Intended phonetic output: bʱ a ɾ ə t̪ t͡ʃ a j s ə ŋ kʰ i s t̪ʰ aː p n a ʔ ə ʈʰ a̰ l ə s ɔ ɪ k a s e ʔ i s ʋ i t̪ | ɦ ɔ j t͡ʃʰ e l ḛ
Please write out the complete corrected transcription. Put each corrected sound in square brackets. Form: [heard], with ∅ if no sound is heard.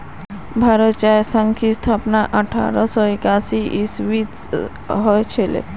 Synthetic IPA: bʱ a ɾ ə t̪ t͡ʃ a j s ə ŋ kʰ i s t̪ʰ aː p n a ʔ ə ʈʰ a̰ [ɾ] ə s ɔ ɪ k a s [i] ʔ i s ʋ i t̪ | ɦ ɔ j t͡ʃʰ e l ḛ